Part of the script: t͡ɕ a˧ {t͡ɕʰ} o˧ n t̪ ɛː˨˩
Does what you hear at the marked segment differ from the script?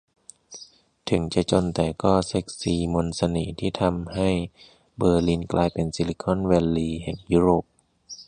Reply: yes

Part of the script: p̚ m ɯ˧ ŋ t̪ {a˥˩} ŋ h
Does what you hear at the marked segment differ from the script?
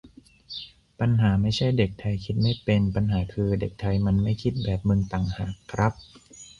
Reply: yes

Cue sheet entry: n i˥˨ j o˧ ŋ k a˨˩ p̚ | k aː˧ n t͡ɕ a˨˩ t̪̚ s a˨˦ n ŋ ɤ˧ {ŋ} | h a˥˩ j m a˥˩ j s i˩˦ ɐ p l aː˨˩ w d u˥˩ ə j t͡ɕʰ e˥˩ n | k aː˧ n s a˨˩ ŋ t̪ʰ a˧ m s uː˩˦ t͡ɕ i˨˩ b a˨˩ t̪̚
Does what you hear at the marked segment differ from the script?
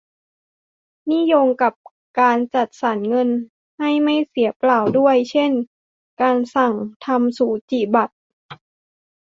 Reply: yes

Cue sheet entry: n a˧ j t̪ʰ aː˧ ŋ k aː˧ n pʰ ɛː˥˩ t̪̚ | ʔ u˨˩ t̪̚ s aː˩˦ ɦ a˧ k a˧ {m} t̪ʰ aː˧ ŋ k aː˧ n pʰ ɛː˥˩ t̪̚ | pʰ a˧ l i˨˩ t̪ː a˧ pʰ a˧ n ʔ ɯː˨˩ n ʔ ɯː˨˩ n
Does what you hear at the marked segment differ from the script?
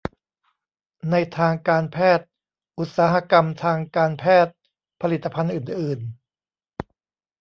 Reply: no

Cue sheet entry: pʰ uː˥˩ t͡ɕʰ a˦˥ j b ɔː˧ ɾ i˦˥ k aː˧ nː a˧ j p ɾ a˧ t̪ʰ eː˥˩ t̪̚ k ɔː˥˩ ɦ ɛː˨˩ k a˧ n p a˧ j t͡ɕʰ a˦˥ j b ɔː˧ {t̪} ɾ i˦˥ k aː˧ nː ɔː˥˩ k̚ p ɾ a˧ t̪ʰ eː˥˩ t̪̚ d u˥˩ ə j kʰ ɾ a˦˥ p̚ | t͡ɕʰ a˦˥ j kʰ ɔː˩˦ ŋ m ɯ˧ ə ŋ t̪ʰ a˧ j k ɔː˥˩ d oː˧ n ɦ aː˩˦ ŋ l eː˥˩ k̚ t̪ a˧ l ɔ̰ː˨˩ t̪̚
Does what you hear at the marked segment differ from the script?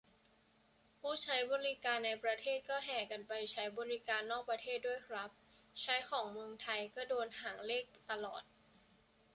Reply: yes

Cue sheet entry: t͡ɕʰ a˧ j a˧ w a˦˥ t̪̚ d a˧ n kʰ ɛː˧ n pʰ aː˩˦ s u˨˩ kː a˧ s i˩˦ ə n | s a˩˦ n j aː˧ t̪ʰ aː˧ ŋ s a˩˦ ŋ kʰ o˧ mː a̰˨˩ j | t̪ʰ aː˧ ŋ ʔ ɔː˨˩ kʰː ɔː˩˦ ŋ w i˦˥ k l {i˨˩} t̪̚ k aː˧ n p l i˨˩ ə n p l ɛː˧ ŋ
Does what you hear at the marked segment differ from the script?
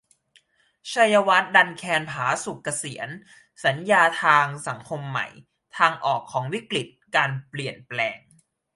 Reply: no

